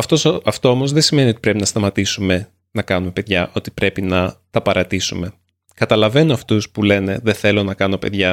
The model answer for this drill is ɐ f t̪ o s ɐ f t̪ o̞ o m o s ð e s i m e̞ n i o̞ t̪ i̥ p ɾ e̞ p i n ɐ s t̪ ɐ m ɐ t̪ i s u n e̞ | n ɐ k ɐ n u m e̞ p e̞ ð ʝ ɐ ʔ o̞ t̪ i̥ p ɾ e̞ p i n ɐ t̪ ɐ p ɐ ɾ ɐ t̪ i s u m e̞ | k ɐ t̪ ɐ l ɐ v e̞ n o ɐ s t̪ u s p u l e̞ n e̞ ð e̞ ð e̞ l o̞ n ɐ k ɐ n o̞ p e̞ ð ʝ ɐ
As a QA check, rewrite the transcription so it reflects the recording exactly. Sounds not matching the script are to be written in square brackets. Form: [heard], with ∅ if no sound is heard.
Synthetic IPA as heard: ɐ f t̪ o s ɐ f t̪ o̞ o m o [z] ð e s i m e̞ n i o̞ t̪ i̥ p ɾ e̞ p i n ɐ s t̪ ɐ m ɐ t̪ i s u [m] e̞ | n ɐ k ɐ n u m e̞ p e̞ ð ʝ ɐ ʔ o̞ t̪ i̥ p ɾ e̞ p i n ɐ t̪ ɐ p ɐ ɾ ɐ t̪ i s u m e̞ | k ɐ t̪ ɐ l ɐ v e̞ n o ɐ [f] t̪ u s p u l e̞ n e̞ ð e̞ [θ] e̞ l o̞ n ɐ k ɐ n o̞ p e̞ ð ʝ ɐ